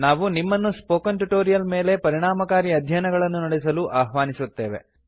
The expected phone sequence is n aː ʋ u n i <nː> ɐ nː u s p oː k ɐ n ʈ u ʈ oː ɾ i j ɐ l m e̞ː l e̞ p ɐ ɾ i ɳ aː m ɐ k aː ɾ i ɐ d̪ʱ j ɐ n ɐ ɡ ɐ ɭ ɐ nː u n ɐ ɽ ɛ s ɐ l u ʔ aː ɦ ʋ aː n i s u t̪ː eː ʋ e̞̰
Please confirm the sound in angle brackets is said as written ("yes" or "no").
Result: no